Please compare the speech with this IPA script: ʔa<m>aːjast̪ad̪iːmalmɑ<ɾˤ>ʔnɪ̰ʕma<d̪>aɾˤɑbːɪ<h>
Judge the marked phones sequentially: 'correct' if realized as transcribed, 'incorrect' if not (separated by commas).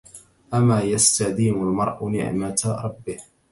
correct, correct, incorrect, correct